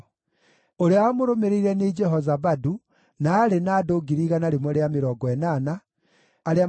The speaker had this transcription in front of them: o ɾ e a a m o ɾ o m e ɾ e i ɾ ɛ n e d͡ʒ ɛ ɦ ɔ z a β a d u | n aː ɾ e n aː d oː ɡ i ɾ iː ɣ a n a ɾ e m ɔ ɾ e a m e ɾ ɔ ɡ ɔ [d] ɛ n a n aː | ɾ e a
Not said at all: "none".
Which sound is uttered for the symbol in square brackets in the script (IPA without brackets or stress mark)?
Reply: none